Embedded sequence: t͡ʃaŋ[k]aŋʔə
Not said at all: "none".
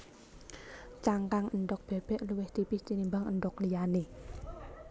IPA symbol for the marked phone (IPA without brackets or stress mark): k